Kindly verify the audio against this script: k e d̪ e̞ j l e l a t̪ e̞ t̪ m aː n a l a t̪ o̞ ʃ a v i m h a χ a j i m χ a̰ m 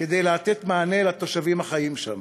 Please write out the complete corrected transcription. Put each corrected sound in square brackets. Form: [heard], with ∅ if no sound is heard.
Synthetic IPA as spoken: k e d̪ e̞ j l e [∅] a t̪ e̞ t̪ m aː n [e] l a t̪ o̞ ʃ a v i m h a χ a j i m [ʃ] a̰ m